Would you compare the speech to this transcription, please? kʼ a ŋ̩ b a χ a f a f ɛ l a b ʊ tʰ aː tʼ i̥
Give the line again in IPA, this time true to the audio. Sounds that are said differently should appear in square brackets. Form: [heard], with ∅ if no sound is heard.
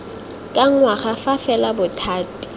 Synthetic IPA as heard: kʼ a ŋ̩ [w] a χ a f a f ɛ l a b ʊ tʰ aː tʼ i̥